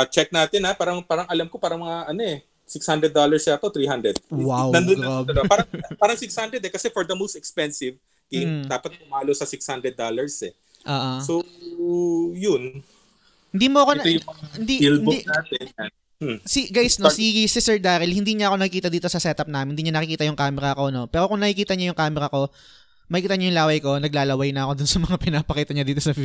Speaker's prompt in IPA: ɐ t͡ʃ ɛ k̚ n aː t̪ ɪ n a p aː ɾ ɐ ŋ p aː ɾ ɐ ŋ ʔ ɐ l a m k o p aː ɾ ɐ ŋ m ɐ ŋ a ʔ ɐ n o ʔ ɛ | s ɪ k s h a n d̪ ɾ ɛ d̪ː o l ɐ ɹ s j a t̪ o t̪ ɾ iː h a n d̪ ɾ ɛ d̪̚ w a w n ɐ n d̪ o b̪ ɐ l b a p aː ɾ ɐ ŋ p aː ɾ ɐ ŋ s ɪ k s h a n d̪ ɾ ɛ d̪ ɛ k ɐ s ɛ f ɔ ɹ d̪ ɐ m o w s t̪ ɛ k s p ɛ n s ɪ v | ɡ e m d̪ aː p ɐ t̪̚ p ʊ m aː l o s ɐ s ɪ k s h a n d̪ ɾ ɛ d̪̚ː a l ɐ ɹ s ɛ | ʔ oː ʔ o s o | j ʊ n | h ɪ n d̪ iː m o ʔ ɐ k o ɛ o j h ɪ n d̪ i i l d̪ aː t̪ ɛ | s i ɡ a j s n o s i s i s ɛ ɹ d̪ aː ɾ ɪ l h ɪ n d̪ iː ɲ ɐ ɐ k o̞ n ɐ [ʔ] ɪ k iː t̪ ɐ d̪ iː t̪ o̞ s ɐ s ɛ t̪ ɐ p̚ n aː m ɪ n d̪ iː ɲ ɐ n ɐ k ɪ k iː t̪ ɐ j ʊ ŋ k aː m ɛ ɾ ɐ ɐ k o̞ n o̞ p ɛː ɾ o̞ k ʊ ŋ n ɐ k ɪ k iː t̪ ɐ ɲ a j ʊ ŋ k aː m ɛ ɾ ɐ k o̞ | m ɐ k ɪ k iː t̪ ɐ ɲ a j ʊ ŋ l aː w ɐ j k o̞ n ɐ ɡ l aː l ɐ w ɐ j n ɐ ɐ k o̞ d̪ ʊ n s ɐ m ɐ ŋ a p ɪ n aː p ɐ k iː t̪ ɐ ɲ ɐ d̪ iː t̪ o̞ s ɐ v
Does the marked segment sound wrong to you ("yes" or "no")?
yes